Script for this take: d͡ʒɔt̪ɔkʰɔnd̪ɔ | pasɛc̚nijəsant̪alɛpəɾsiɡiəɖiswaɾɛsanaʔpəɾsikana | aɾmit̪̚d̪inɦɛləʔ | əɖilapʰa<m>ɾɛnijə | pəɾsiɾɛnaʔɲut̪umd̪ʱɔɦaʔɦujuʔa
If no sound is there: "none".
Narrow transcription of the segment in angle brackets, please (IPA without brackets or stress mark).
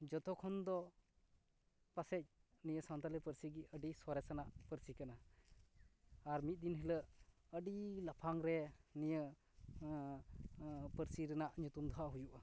ŋ